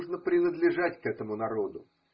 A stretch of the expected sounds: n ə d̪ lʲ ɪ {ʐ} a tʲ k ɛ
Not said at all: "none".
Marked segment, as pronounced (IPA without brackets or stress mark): ʐ